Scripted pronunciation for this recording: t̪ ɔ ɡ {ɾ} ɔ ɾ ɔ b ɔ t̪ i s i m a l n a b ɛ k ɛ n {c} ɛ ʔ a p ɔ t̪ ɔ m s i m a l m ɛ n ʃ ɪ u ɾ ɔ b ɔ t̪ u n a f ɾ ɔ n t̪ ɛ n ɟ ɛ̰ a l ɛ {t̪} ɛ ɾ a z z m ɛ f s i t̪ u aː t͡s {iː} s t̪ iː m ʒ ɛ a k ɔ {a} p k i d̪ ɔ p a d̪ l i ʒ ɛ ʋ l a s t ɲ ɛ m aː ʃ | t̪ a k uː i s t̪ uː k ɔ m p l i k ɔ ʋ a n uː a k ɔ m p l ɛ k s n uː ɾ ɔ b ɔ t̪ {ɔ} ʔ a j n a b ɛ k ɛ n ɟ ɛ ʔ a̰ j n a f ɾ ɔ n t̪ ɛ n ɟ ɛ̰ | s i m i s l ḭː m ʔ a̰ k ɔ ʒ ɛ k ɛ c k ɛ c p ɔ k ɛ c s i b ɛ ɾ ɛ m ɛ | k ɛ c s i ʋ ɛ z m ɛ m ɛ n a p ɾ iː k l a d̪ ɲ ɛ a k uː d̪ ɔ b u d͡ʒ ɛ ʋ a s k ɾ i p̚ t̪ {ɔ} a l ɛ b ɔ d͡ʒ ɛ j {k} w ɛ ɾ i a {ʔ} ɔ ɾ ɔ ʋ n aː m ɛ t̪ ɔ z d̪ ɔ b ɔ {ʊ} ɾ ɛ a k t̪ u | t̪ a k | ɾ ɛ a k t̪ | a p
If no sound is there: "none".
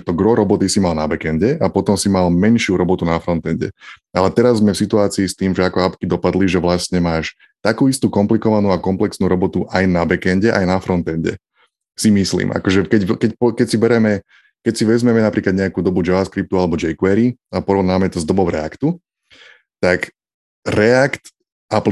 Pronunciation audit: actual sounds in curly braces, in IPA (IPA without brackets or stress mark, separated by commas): ɾ, ɟ, t̪, iː, a, u, u, k, p, ʊ